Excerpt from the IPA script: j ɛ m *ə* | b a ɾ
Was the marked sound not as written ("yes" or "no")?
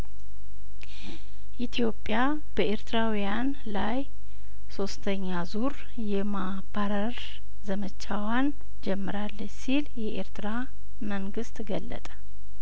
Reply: yes